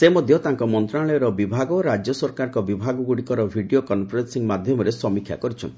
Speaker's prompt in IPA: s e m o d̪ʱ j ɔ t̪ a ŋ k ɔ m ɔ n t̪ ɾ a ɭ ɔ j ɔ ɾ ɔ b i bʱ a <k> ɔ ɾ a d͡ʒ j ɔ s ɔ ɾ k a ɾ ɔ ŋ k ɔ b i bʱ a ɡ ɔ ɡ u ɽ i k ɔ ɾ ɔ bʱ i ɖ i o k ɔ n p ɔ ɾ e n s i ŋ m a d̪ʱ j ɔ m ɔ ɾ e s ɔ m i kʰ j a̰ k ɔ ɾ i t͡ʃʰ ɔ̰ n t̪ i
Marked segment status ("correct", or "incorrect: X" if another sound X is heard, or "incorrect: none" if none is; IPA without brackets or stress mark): incorrect: ɡ